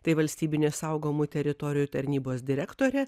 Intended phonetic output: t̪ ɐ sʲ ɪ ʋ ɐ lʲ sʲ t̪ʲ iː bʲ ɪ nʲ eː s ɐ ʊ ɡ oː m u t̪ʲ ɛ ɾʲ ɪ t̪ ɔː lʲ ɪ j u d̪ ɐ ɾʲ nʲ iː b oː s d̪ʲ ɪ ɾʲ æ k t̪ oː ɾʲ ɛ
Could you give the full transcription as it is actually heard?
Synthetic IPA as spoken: t̪ ɐ ɪ ʋ ɐ lʲ sʲ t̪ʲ iː bʲ ɪ nʲ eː s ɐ ʊ ɡ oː m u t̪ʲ ɛ ɾʲ ɪ t̪ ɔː ɾʲ ɪ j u t̪ ɐ ɾʲ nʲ iː b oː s d̪ʲ ɪ ɾʲ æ k t̪ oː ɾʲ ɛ